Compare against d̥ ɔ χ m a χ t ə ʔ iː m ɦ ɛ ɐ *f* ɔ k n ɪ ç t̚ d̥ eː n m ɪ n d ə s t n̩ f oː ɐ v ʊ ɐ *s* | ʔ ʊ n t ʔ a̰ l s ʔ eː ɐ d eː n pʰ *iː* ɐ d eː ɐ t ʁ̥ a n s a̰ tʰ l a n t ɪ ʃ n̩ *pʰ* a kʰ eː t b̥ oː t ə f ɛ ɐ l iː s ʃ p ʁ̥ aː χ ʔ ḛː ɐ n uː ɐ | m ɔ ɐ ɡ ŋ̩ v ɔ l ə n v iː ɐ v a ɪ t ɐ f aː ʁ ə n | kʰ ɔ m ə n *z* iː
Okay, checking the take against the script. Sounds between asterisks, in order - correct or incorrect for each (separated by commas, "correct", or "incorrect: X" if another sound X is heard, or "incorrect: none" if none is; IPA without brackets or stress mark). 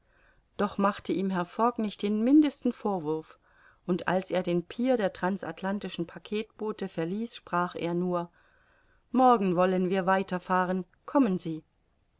correct, incorrect: f, correct, correct, correct